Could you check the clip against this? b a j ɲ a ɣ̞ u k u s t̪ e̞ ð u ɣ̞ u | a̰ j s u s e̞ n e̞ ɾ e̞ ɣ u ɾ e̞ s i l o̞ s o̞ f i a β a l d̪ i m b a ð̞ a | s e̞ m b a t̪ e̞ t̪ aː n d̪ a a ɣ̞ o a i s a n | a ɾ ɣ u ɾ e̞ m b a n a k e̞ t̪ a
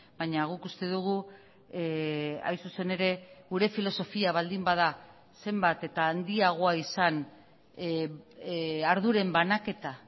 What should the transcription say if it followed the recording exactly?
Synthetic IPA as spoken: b a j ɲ a ɣ̞ u k u s t̪ e̞ ð u ɣ̞ u | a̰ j s u s e̞ n e̞ ɾ e̞ ɣ u ɾ e̞ f i l o̞ s o̞ f i a β a l d̪ i m b a ð̞ a | s e̞ m b a t̪ e̞ t̪ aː n d̪ i a ɣ̞ o a i s a n | a ɾ ð u ɾ e̞ m b a n a k e̞ t̪ a

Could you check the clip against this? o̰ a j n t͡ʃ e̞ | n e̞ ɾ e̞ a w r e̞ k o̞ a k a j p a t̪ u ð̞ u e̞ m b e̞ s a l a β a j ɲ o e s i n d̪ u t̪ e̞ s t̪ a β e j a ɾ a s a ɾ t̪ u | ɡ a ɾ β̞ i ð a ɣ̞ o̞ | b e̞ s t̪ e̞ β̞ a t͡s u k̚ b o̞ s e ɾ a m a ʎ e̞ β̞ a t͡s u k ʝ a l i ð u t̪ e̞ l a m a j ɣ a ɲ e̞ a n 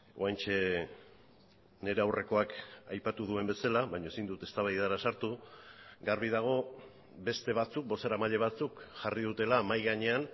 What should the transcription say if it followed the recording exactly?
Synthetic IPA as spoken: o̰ a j n t͡ʃ e̞ | n e̞ ɾ e̞ a w r e̞ k o̞ a k a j p a t̪ u ð̞ u e̞ m b e̞ s a l a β a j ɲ o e s i n d̪ u t̪ e̞ s t̪ a β a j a ɾ a s a ɾ t̪ u | ɡ a ɾ β̞ i ð a ɣ̞ o̞ | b e̞ s t̪ e̞ β̞ a t͡s u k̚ b o̞ s e ɾ a m a ʎ e̞ β̞ a t͡s u k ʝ a r i ð u t̪ e̞ l a m a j ɣ a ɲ e̞ a n

